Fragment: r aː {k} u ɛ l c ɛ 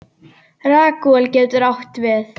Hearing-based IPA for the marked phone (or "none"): k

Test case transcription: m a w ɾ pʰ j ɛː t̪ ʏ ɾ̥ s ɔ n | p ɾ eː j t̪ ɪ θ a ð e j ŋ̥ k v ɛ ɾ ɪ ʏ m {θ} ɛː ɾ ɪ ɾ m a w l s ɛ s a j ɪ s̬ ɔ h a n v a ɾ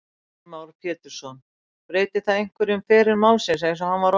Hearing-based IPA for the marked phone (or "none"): f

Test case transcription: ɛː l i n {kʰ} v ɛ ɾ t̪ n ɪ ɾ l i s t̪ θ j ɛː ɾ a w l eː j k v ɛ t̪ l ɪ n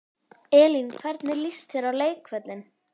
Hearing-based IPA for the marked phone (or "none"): kʰ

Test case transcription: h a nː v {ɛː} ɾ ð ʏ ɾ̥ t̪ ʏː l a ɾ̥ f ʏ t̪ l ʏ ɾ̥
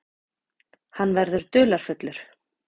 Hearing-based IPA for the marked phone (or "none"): ɛ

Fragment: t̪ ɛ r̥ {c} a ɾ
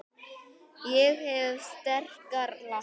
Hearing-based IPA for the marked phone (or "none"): k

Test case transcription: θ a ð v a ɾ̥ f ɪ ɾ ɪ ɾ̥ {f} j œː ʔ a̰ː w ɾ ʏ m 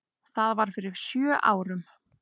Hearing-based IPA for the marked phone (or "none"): s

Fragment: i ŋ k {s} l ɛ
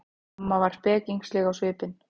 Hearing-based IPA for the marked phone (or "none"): s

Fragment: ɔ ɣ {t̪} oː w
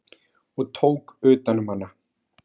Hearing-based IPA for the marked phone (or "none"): t̪ʰ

